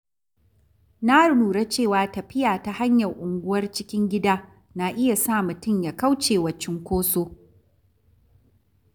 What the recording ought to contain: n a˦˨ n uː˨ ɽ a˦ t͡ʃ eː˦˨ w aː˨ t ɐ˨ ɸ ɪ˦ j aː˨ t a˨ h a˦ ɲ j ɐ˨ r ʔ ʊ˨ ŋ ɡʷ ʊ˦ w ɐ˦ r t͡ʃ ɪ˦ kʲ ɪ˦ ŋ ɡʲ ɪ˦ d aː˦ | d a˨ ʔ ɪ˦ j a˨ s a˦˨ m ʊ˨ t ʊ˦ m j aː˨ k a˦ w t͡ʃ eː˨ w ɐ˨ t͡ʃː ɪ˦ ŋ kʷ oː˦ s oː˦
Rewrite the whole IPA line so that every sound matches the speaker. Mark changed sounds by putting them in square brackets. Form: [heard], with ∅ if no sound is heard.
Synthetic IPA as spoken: n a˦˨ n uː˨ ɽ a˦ t͡ʃ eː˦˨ w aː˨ t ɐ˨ ɸ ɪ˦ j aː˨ t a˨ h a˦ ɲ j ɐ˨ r ʔ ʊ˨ ŋ ɡʷ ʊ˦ w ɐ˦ r t͡ʃ ɪ˦ kʲ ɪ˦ ŋ ɡʲ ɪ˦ d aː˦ | [n] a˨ ʔ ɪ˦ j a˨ s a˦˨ m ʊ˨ t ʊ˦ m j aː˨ k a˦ w t͡ʃ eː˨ w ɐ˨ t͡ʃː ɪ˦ ŋ kʷ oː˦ s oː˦